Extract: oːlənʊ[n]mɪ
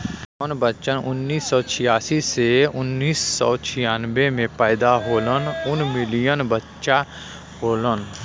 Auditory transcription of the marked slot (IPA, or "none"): n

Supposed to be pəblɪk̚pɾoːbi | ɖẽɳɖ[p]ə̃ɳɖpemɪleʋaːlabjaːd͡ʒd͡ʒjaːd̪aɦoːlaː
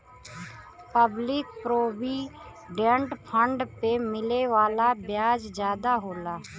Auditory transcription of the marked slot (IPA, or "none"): pʰ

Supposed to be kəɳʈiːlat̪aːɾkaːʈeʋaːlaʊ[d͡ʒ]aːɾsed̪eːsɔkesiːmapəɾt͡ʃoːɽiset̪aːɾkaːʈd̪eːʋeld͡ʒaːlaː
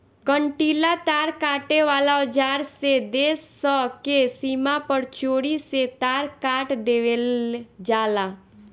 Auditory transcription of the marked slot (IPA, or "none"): d͡ʒ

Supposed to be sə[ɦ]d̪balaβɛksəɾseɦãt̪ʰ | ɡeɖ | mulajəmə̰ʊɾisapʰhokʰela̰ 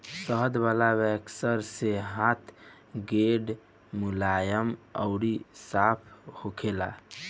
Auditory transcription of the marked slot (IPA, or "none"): ɦ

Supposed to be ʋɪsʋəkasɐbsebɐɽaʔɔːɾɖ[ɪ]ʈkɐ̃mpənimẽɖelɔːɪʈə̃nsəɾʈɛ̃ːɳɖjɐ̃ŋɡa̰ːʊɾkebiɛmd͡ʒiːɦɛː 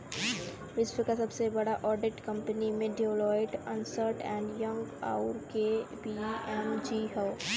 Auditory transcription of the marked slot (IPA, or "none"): ɪ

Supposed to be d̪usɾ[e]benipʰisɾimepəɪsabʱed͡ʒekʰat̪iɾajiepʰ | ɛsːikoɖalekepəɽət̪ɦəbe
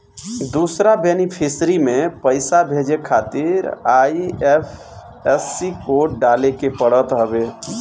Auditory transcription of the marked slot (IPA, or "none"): a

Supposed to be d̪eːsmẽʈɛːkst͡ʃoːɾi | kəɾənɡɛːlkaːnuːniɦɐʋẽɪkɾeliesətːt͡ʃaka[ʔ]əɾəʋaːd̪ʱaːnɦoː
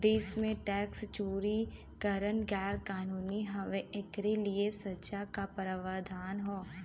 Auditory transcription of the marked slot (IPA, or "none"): p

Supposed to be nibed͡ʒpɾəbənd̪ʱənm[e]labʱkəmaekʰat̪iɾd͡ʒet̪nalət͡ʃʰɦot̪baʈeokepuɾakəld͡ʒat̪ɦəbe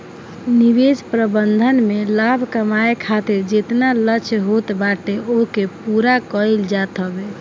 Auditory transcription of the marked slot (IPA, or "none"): e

